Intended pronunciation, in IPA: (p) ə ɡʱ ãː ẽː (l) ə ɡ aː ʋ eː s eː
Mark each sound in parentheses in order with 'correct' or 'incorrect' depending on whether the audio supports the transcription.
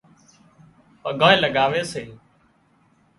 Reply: correct, correct

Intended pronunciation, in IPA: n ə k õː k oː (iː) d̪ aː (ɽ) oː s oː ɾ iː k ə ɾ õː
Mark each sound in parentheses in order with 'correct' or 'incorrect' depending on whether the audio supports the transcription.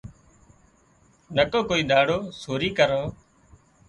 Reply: correct, correct

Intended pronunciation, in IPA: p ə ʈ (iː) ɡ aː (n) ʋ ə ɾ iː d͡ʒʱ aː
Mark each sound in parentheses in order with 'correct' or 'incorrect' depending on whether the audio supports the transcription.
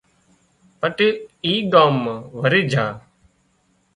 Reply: correct, incorrect: m

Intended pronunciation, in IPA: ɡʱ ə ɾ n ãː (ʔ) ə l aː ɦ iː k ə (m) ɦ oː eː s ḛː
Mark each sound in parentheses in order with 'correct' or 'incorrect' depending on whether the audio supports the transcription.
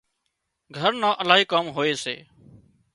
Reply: correct, correct

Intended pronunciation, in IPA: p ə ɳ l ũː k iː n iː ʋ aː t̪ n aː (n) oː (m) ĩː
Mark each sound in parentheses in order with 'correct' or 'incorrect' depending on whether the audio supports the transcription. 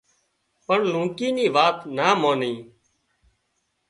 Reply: incorrect: m, incorrect: n

